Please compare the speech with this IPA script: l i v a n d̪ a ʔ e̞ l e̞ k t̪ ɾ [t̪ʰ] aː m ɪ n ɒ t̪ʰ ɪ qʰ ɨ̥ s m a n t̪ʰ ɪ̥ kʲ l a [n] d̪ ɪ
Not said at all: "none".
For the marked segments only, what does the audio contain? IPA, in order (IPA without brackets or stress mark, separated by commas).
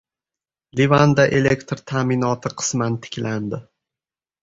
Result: t̪ʰ, n